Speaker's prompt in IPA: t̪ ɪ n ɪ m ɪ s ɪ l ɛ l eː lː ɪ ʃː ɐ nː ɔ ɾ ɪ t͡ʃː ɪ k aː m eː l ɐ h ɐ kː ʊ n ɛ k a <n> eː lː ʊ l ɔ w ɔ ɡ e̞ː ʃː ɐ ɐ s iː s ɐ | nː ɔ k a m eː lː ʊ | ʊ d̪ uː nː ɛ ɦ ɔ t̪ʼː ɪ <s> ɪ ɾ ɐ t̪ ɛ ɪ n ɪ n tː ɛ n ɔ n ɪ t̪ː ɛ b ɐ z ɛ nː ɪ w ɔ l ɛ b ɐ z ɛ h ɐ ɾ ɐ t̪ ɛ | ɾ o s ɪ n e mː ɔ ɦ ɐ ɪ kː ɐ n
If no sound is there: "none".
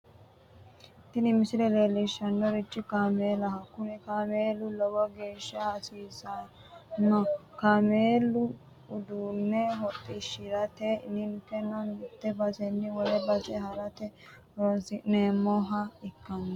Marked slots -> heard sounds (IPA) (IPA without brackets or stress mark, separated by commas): m, ʃ